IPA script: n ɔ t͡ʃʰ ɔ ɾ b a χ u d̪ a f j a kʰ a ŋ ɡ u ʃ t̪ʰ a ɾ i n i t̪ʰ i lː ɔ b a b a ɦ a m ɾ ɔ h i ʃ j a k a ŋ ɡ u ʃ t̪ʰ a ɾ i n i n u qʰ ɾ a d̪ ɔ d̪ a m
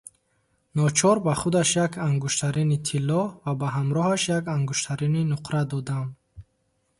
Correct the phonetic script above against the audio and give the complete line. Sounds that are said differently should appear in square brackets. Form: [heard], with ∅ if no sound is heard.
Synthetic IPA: n ɔ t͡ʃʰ ɔ ɾ b a χ u d̪ a [ʃ] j a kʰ a ŋ ɡ u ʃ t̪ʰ a ɾ i n i t̪ʰ i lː ɔ [v] a b a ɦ a m ɾ ɔ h [a] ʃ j a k a ŋ ɡ u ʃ t̪ʰ a ɾ i n i n u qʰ ɾ a d̪ ɔ d̪ a m